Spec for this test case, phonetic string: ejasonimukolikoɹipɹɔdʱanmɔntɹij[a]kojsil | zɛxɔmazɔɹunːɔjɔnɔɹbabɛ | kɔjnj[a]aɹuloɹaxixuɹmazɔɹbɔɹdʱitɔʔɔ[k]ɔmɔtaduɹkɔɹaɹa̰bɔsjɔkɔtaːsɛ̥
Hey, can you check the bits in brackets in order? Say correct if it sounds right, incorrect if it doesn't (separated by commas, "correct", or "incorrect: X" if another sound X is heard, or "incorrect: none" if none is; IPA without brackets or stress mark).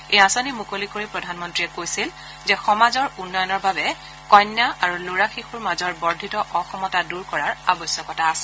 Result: incorrect: ɛ, correct, incorrect: x